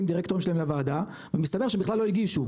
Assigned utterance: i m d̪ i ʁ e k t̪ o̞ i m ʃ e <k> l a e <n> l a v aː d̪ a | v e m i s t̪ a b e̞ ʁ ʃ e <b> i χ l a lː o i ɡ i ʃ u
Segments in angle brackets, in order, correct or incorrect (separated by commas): incorrect, incorrect, correct